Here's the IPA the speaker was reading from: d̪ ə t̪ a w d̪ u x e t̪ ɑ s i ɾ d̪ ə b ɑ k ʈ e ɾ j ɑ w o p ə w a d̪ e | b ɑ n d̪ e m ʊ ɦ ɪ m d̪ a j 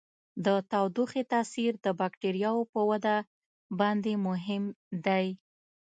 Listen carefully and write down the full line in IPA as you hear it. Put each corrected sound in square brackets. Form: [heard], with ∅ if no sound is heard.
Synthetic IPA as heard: d̪ ə t̪ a w d̪ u x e t̪ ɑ s i ɾ d̪ ə b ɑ k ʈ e ɾ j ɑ w o p ə w a d̪ [a] | b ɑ n d̪ e m ʊ ɦ ɪ m d̪ a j